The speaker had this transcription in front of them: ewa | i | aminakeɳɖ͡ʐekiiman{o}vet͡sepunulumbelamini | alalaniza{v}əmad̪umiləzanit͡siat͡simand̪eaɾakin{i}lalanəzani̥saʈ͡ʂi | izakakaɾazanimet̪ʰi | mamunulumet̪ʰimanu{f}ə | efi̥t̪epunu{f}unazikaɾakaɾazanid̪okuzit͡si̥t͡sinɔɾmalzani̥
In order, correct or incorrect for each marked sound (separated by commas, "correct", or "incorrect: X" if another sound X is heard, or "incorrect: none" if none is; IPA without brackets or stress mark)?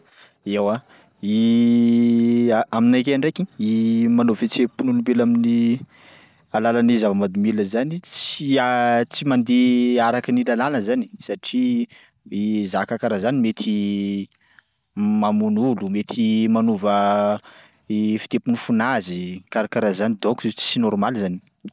correct, correct, correct, incorrect: v, correct